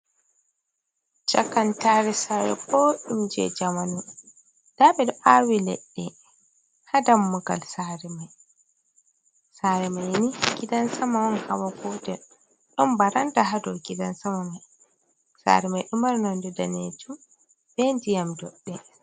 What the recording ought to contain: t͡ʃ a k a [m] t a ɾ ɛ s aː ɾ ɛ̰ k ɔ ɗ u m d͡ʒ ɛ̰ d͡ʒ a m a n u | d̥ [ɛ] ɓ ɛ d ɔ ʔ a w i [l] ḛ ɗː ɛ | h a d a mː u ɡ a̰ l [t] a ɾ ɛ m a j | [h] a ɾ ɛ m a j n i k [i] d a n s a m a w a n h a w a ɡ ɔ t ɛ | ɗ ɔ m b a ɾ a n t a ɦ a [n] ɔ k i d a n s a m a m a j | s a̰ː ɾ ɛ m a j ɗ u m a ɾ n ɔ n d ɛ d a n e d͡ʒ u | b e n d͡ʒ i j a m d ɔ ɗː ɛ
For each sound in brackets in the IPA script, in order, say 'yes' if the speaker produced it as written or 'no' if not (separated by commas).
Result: no, no, yes, no, no, yes, no